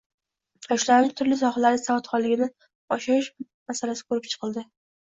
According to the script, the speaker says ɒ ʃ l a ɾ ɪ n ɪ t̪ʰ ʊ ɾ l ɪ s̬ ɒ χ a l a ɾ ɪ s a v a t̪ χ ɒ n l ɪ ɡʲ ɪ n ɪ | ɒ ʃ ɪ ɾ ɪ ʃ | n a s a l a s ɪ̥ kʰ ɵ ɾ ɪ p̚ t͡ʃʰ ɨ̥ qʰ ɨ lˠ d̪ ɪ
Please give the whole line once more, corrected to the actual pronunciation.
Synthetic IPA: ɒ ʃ l a ɾ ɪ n ɪ t̪ʰ ʊ ɾ l ɪ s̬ ɒ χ a l a ɾ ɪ s a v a t̪ χ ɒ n l ɪ ɡʲ ɪ n ɪ | ɒ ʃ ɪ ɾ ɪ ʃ | m a s a l a s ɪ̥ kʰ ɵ ɾ ɪ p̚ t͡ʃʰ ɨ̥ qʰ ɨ lˠ d̪ ɪ